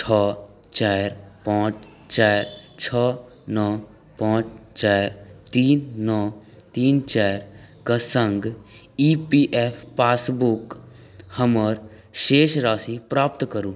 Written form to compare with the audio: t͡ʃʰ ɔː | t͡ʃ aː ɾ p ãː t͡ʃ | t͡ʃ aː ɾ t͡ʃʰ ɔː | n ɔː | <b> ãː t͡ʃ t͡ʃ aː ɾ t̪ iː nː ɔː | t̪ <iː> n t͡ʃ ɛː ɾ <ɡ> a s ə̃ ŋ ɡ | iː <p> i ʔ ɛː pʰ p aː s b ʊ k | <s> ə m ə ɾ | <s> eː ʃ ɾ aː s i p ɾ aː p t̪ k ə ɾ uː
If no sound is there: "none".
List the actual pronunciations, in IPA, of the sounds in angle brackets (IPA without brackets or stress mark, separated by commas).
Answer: p, iː, k, p, h, ʃ